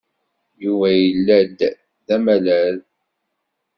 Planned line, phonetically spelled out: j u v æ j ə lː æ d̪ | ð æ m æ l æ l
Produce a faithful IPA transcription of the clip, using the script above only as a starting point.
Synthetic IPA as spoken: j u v æ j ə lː æ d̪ | ð æ m æ l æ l

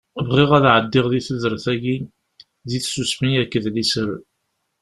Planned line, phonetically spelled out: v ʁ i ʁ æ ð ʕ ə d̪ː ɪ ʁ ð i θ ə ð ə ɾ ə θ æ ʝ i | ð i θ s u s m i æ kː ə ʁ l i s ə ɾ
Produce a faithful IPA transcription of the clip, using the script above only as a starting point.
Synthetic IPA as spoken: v ʁ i ʁ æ ð ʕ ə d̪ː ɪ ʁ ð i θ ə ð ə ɾ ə θ æ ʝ i | ð i θ s u s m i æ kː ə ð l i s ə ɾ

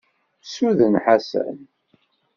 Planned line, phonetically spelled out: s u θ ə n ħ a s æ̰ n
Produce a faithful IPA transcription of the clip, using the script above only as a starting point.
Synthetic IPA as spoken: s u ð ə n ħ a s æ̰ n

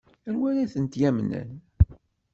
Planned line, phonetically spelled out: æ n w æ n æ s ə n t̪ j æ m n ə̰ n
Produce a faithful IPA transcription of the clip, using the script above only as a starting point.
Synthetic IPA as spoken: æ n w æ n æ θ ə n t̪ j æ m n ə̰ n

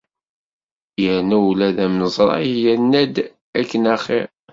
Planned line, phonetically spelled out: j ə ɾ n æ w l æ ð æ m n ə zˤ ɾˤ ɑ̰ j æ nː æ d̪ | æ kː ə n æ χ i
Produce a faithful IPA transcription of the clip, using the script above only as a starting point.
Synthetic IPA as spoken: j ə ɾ n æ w l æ ð æ m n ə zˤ ɾˤ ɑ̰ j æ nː æ d̪ | æ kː ə n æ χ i

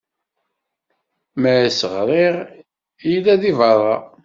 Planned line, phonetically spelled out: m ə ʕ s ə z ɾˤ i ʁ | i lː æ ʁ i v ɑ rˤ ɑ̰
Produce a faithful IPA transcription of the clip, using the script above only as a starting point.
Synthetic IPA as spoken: m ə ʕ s ə ʁ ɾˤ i ʁ | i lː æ ð i v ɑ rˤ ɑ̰

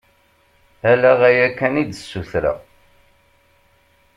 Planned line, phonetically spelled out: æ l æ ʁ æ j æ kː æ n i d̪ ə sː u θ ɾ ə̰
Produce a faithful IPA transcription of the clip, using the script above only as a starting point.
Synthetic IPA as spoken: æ l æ ʁ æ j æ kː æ n i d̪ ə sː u θ ɾ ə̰

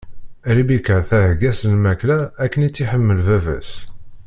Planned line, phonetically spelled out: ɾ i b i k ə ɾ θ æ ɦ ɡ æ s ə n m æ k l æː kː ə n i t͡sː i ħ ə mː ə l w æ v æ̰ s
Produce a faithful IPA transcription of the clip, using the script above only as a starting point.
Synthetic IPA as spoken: ɾ i b i k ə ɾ θ æ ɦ ɡ æ s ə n m æ k l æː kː ə n i t͡sː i ħ ə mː ə l v æ v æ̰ s

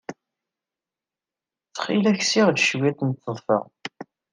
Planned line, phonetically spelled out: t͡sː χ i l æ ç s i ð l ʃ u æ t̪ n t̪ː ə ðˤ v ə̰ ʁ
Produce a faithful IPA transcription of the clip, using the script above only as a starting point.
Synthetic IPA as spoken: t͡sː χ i l æ ç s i ʁ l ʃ w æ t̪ n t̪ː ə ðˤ f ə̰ ʁ

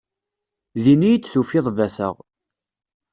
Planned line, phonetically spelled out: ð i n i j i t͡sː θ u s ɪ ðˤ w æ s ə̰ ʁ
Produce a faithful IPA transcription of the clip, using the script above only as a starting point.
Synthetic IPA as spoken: ð i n i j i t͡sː θ u f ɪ ðˤ v æ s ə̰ ʁ

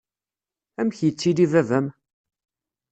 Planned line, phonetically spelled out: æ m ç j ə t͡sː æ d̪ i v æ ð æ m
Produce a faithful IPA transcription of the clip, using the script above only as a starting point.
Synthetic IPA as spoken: æ m ç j ə t͡sː i d̪ i v æ v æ m

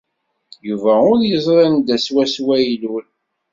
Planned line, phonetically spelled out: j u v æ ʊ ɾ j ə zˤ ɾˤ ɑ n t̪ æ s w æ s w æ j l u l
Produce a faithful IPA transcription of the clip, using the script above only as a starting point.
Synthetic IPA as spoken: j u v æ ʊ ɾ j ə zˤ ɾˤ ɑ n d̪ æ s w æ s w æ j l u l

